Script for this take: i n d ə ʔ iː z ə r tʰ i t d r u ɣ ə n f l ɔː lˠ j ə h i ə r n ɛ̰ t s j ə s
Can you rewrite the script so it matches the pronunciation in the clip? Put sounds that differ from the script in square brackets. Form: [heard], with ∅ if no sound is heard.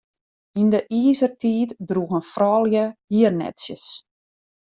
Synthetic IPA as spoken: i n d ə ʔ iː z ə r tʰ [iː] t d r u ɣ ə n f [r] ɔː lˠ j ə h i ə r n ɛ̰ t s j ə s